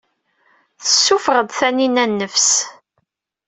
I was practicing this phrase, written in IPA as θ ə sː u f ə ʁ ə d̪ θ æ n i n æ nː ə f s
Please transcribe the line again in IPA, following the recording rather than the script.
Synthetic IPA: θ ə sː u f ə ʁ ə d̪ θ æ n i n æ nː ə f s